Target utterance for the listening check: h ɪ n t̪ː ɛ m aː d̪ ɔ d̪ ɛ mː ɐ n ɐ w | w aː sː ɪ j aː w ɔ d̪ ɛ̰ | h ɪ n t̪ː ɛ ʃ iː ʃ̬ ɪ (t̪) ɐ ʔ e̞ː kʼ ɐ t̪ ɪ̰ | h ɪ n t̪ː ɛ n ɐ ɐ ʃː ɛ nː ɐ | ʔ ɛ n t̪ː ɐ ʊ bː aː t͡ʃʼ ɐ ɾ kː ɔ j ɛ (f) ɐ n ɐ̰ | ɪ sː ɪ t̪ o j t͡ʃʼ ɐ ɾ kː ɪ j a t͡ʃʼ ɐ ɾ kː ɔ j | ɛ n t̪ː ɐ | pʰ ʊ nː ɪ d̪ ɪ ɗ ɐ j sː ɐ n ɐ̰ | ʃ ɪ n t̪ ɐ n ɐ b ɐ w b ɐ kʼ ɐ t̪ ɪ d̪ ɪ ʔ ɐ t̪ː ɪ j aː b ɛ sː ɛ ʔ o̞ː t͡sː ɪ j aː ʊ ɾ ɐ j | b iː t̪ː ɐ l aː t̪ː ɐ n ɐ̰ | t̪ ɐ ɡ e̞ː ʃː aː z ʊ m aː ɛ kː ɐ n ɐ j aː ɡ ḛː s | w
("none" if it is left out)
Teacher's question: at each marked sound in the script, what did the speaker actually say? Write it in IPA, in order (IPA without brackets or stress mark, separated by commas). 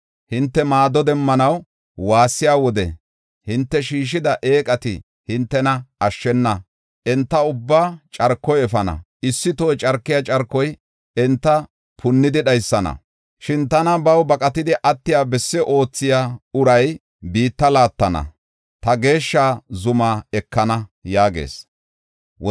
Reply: d̪, f